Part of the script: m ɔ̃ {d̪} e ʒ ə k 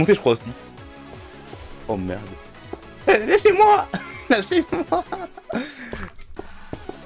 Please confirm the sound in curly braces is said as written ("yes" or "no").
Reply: no